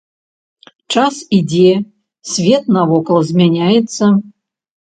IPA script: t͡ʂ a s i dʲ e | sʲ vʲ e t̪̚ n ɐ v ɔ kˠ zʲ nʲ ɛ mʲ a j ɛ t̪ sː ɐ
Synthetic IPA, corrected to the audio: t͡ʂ a s i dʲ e | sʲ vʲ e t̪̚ n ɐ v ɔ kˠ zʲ mʲ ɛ nʲ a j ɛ t̪ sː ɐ